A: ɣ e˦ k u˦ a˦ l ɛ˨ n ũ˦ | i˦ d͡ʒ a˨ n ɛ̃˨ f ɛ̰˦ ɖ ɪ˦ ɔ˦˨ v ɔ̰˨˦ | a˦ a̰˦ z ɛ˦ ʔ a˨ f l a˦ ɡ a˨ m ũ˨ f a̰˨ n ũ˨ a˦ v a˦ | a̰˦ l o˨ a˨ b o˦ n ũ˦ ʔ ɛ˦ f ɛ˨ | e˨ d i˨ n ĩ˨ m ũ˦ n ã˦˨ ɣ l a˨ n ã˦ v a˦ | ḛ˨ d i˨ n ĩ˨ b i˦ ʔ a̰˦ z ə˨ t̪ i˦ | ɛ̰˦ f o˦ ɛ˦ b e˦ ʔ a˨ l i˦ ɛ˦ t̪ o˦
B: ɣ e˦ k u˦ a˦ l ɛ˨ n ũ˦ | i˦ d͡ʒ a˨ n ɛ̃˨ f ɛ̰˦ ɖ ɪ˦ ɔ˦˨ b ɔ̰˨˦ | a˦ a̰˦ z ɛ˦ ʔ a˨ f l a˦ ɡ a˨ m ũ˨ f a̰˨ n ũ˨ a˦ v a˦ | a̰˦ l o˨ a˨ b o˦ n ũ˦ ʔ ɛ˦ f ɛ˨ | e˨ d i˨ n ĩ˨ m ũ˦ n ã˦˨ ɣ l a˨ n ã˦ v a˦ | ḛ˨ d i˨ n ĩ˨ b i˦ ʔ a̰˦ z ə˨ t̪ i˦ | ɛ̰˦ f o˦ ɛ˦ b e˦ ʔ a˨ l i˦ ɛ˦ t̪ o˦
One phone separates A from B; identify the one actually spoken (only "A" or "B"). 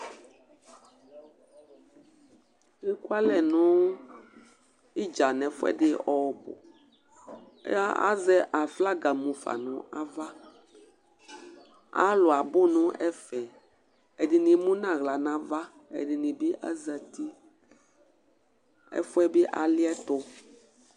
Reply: B